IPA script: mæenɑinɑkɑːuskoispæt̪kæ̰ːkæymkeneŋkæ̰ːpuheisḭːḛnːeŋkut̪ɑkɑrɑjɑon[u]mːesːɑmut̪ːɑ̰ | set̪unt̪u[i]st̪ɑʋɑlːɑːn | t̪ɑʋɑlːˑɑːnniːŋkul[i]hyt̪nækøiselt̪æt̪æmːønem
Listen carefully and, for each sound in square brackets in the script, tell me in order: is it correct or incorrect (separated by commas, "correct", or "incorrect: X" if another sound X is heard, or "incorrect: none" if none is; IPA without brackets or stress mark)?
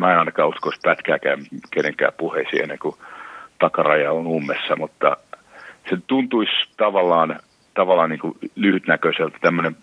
correct, correct, incorrect: y